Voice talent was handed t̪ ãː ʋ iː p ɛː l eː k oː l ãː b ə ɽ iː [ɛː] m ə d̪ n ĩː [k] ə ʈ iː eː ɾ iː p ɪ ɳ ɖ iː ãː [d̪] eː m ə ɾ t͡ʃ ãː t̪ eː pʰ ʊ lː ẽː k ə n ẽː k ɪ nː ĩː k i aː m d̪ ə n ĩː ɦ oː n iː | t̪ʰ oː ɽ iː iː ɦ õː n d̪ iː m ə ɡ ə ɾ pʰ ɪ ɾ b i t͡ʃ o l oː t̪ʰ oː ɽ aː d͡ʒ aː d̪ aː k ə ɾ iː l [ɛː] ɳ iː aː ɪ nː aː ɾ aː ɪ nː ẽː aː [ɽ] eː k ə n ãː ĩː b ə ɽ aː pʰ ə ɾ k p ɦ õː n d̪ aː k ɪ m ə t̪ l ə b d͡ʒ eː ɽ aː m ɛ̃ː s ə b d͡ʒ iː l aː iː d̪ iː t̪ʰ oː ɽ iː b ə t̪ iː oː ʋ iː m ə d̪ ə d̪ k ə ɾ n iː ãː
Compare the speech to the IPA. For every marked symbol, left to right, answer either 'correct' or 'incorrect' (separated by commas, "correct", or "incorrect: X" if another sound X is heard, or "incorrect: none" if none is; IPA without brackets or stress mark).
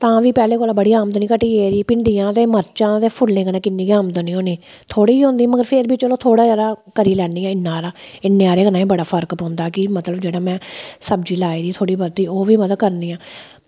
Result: incorrect: aː, correct, incorrect: t̪, correct, incorrect: ɾ